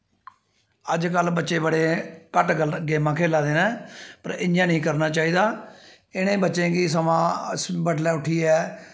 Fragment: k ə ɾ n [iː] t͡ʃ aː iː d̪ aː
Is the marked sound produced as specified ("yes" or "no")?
no